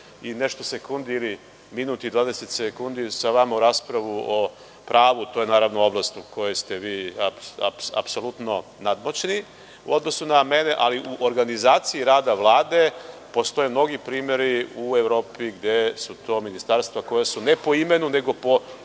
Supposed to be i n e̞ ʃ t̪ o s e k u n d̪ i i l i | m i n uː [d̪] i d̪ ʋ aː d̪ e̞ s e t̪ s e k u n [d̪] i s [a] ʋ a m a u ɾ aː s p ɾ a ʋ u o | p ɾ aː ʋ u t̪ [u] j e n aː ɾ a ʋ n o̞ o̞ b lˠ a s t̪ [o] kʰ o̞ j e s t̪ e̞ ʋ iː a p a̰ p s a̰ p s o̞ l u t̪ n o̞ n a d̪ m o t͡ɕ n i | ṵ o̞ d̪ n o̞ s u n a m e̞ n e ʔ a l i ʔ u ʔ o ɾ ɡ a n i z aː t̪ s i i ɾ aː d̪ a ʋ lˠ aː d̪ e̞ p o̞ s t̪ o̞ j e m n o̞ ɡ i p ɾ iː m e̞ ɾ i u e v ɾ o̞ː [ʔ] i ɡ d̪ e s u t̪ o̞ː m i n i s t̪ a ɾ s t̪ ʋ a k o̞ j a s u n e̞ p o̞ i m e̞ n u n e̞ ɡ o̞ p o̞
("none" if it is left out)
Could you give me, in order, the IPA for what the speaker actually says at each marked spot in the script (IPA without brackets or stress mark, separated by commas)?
t̪, d̪, a, o, u, p